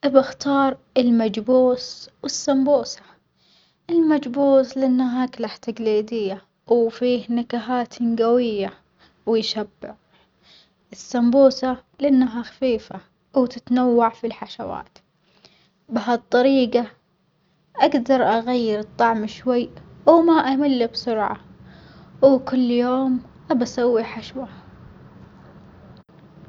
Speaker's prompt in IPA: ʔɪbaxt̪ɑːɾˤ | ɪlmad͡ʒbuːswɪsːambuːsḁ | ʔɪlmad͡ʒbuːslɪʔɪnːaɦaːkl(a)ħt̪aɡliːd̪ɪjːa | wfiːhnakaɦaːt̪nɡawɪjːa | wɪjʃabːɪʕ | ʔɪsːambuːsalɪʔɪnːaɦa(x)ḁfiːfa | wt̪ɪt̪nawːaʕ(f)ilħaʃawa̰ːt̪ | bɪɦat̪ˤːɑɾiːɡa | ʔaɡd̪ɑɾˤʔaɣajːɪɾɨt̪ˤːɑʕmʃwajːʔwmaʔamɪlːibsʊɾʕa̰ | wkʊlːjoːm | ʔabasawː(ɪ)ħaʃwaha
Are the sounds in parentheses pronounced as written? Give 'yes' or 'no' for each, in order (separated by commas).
yes, yes, yes, no